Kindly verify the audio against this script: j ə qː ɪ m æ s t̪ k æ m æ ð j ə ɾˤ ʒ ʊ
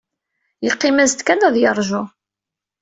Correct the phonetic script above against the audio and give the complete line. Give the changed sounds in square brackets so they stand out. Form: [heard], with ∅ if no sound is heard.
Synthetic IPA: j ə qː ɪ m æ [z] t̪ k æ [n] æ ð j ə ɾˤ ʒ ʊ